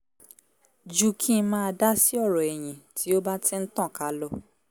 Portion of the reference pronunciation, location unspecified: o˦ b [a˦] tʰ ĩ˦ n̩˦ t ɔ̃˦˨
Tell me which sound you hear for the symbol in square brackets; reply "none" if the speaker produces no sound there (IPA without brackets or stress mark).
a˦